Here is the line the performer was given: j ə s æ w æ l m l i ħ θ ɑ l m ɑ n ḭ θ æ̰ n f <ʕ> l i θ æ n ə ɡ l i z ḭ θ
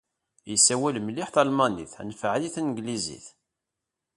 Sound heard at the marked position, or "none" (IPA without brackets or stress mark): ʕ